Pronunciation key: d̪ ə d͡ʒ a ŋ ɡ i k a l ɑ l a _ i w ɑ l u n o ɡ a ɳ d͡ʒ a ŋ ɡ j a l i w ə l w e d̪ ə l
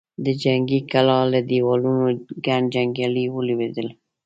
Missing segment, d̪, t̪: d̪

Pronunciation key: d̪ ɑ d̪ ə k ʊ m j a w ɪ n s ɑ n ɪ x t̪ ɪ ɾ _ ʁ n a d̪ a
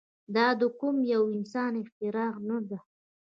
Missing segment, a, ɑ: ɑ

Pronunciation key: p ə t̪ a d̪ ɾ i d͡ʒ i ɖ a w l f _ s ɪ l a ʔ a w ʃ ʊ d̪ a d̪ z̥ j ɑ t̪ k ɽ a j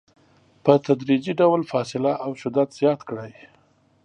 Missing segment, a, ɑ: ɑ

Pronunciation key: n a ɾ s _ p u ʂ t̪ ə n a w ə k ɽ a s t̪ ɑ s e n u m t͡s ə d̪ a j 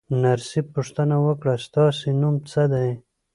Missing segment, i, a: i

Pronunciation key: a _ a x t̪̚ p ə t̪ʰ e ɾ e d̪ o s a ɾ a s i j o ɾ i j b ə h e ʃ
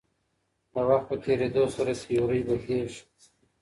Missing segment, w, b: w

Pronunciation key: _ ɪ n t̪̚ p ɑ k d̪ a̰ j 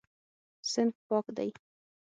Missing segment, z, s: s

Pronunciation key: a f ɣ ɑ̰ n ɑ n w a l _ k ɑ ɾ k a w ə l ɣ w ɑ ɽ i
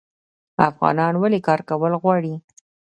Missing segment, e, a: e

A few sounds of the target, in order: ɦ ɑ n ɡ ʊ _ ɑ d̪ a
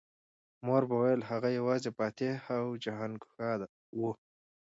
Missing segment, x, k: x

